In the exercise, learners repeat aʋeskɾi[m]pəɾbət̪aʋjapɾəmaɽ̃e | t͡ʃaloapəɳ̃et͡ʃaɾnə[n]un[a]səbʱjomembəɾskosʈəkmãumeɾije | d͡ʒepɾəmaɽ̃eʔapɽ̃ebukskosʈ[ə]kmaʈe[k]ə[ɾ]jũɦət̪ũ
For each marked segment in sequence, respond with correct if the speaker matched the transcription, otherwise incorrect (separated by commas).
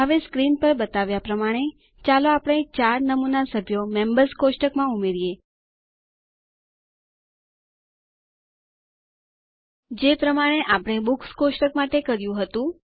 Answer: incorrect, incorrect, correct, correct, correct, correct